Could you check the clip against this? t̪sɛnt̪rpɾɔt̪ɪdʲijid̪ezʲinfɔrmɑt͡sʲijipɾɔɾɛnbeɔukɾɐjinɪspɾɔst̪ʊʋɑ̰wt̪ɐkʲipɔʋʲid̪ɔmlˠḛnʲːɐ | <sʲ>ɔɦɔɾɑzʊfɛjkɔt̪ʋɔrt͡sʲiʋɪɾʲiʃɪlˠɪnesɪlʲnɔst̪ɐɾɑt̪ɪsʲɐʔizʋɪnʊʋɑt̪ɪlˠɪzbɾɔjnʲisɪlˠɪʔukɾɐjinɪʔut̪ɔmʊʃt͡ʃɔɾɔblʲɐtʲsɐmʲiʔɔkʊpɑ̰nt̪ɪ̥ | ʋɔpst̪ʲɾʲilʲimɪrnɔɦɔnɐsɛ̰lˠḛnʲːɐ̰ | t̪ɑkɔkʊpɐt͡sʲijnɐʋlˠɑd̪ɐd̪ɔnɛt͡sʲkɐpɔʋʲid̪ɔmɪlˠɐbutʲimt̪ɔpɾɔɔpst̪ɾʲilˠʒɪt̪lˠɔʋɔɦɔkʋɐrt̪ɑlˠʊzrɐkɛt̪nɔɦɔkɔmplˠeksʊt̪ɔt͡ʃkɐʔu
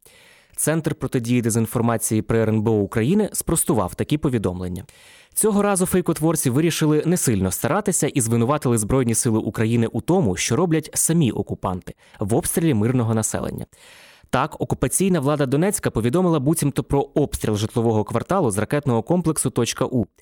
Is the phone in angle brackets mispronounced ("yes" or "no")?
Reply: yes